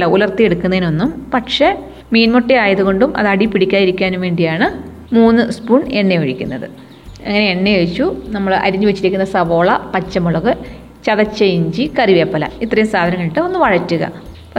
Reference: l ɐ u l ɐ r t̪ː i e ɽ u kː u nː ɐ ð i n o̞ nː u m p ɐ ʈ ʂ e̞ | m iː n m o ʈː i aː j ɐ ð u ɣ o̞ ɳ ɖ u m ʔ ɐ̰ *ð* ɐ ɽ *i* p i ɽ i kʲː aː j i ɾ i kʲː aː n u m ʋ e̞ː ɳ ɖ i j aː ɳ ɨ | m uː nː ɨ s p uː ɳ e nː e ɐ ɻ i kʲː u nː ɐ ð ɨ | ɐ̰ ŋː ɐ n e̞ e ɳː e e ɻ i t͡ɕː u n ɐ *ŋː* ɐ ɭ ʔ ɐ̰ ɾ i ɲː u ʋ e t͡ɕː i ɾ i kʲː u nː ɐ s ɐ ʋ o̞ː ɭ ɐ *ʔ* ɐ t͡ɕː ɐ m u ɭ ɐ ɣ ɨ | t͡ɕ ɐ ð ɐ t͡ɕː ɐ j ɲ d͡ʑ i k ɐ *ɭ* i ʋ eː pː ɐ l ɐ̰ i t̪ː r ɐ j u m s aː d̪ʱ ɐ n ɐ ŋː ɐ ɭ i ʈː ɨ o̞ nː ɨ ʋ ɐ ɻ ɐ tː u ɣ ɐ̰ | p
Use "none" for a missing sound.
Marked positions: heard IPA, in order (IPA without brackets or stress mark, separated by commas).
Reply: ð, i, mː, p, r